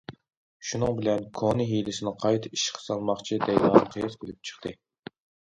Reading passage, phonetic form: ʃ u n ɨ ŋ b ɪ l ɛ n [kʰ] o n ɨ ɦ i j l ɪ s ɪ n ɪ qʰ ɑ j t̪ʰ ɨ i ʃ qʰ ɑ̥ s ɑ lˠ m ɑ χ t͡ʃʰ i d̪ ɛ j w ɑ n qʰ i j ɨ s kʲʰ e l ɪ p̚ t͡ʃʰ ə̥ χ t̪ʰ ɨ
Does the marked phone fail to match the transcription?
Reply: no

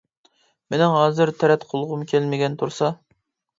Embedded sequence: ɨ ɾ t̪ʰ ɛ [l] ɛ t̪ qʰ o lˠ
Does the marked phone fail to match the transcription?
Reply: yes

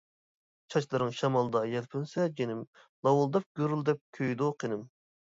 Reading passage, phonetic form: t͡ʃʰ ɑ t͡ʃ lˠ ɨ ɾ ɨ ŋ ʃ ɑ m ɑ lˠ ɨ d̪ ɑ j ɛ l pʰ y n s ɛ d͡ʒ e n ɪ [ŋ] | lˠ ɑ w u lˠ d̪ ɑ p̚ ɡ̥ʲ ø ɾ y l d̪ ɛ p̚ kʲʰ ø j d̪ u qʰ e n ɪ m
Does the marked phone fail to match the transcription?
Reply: yes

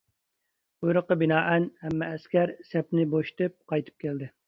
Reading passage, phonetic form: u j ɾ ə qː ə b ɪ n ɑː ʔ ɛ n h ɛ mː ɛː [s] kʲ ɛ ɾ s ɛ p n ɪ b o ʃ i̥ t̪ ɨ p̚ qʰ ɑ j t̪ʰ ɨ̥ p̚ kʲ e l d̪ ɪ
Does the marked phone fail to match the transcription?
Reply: no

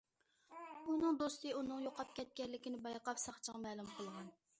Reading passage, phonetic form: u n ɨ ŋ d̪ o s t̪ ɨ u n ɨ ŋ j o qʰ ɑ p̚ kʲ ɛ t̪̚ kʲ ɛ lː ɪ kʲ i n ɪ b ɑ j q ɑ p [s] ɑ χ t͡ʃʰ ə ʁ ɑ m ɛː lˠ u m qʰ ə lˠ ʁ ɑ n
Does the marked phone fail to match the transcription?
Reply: no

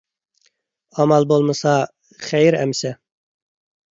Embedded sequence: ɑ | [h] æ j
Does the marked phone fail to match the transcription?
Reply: yes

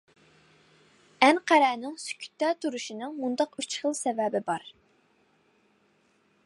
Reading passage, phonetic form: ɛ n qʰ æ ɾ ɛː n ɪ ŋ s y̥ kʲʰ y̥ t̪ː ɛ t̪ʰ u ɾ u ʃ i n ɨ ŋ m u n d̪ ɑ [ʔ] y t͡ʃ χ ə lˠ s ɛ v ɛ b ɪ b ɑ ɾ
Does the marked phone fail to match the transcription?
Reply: yes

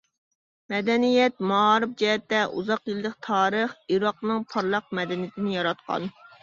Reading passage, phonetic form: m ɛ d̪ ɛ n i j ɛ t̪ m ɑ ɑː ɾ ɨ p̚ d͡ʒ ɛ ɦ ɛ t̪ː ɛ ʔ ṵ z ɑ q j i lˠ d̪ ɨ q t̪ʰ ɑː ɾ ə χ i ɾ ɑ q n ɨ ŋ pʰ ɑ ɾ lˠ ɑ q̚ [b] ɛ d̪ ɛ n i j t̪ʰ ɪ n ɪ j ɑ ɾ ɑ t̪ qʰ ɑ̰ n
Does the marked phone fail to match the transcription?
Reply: yes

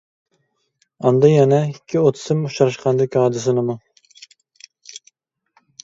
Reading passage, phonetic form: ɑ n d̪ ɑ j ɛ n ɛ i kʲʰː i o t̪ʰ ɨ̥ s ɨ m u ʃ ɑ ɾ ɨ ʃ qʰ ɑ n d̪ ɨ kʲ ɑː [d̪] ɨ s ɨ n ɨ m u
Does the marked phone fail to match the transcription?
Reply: no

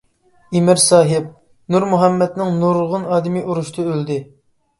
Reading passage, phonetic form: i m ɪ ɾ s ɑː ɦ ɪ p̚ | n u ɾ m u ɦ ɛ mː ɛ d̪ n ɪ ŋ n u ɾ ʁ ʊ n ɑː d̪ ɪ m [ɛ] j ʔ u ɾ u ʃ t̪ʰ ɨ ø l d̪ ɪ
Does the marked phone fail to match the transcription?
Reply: yes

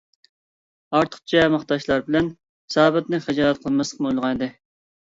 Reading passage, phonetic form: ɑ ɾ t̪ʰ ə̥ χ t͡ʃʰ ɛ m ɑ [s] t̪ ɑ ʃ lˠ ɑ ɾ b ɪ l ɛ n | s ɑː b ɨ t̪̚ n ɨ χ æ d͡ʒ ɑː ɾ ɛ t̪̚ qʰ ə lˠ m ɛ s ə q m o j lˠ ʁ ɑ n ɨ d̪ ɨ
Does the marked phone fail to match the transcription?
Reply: yes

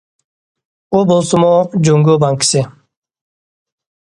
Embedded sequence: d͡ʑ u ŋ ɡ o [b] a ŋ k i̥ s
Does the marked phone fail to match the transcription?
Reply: no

